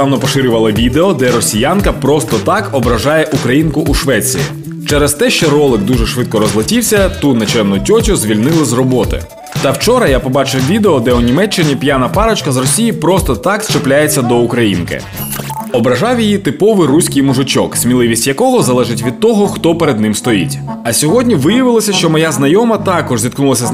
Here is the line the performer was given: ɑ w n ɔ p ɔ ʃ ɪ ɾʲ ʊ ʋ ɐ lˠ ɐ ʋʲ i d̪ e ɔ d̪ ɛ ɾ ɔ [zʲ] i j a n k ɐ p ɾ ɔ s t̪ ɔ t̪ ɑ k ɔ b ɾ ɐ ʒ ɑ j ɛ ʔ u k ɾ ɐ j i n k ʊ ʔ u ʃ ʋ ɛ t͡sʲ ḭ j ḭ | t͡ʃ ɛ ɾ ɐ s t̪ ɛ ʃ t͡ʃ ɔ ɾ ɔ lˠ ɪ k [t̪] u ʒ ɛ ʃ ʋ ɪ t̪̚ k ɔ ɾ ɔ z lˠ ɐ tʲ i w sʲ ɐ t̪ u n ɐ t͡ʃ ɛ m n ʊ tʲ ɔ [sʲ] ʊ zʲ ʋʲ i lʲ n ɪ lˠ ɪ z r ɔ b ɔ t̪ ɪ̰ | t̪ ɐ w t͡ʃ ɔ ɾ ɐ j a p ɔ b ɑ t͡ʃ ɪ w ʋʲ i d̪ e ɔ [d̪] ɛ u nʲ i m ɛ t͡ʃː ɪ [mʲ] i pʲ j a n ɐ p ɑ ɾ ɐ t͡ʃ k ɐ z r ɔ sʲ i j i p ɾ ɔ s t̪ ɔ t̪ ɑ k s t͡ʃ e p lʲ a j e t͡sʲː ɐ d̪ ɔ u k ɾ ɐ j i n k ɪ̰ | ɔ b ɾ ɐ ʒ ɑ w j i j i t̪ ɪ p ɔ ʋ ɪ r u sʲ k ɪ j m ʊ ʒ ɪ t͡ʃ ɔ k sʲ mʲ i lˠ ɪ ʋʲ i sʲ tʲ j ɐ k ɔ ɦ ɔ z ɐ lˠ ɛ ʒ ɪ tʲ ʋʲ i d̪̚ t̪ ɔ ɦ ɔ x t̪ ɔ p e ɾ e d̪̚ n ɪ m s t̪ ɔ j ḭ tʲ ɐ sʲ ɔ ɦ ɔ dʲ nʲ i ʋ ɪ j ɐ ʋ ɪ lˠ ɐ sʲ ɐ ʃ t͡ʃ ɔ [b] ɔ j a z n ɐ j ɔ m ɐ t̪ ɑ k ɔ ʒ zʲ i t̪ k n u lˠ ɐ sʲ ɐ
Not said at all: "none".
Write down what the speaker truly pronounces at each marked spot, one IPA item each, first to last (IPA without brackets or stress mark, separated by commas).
sʲ, d̪, tʲ, d̪, nʲ, m